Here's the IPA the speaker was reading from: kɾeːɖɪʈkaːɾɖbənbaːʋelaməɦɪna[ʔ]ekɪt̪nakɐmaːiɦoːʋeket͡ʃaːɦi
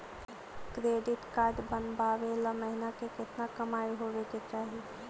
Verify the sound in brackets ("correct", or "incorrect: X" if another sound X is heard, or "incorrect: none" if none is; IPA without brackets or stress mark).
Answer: incorrect: k